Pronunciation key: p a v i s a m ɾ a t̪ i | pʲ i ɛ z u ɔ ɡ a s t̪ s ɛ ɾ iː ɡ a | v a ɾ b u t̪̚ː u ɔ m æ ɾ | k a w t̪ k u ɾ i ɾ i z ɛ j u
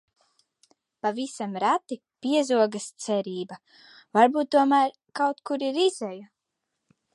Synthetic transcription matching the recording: p a v i s a m ɾ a t̪ i | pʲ i ɛ z u ɔ ɡ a s t̪ s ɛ ɾ iː b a | v a ɾ b uː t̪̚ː u ɔ m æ ɾ | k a w t̪ k u ɾ i ɾ i z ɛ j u